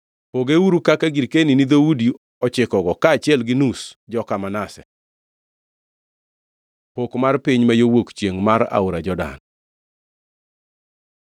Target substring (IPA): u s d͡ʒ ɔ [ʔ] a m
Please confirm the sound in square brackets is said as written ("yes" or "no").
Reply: no